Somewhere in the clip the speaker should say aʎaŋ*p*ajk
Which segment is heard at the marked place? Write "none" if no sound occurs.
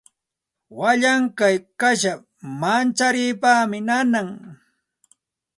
k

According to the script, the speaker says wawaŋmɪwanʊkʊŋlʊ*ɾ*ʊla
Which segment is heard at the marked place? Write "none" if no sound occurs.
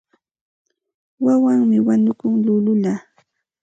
l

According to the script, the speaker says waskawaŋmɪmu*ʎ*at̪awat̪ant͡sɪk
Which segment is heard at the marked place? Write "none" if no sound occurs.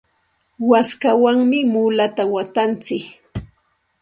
l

